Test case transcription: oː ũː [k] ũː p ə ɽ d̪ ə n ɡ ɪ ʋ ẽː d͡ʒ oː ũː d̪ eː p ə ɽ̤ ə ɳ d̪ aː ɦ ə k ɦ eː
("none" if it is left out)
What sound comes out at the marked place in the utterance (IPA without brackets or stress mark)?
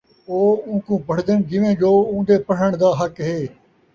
k